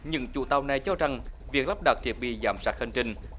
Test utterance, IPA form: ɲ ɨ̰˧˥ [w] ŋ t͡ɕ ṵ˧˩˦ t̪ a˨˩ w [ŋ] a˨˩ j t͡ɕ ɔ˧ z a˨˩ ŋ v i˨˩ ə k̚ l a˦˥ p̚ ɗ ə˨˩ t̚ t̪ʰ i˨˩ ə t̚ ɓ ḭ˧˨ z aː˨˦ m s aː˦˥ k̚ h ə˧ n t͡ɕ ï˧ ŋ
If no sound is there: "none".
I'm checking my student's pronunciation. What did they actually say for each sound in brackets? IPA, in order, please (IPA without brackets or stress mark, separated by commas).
none, n